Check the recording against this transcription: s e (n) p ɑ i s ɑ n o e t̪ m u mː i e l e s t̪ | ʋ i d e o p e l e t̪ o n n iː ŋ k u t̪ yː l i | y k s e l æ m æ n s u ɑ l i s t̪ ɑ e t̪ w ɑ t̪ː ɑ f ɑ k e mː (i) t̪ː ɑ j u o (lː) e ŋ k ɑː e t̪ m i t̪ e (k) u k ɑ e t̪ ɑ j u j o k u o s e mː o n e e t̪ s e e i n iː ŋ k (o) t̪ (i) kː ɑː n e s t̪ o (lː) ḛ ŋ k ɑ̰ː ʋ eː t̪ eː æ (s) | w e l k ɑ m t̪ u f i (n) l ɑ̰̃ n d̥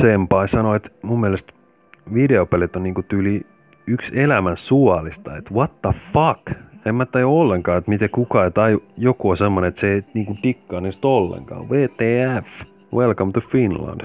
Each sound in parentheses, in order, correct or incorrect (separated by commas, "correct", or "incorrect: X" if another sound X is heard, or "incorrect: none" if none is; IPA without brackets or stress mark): incorrect: m, incorrect: æ, correct, correct, incorrect: u, correct, correct, incorrect: f, correct